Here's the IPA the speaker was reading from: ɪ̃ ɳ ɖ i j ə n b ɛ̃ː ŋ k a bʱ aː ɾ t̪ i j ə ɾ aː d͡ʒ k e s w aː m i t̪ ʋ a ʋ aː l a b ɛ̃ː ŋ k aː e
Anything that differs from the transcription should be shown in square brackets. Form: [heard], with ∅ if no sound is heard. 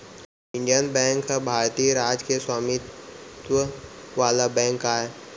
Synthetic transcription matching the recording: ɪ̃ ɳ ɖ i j ə n b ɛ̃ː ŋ k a bʱ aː ɾ t̪ i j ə ɾ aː d͡ʒ k e s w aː m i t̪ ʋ [ə] ʋ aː l a b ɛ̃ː ŋ k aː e